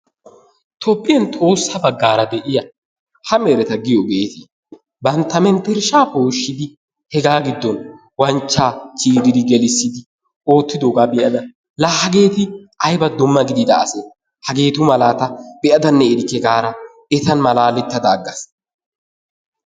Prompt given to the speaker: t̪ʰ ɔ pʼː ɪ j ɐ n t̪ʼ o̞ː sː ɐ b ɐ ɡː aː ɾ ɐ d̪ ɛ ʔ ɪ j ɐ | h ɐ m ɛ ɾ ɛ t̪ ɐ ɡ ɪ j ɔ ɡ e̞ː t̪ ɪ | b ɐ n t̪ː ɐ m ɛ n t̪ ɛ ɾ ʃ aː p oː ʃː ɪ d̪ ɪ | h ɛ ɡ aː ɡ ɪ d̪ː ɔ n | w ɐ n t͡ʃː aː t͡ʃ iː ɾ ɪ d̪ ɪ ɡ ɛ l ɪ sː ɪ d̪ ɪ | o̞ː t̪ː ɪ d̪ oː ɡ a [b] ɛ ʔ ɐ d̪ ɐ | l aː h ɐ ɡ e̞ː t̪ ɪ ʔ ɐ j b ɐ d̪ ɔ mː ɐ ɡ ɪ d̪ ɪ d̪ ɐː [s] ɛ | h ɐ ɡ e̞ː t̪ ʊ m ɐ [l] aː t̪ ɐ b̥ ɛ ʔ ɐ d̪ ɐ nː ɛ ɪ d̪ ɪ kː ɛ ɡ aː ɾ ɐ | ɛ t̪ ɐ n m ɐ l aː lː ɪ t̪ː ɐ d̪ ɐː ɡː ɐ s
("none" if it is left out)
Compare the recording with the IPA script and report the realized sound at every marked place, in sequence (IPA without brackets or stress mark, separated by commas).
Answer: b, s, l